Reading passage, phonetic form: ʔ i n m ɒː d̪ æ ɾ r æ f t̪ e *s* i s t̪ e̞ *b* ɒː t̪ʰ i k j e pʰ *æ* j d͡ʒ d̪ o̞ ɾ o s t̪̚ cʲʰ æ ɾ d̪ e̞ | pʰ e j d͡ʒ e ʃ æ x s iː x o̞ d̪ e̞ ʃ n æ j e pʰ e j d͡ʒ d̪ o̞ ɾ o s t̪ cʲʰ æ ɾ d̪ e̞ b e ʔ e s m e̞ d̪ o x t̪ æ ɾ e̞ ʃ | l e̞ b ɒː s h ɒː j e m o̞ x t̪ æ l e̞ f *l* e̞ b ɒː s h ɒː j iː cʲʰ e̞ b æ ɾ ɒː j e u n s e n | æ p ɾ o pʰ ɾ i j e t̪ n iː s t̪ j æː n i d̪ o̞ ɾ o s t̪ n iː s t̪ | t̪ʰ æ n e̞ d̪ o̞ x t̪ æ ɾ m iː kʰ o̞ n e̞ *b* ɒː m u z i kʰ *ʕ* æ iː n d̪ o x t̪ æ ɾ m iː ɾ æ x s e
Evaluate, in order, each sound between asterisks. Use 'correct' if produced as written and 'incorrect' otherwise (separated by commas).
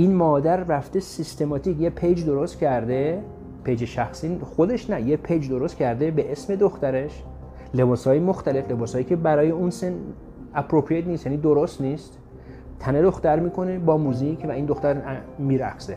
correct, incorrect, incorrect, correct, correct, incorrect